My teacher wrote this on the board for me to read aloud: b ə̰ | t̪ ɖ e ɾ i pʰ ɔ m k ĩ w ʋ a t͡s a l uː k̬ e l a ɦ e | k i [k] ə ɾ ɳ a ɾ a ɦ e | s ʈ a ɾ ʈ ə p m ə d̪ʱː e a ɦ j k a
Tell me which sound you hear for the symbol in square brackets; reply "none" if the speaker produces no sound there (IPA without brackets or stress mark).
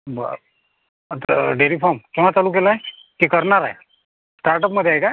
k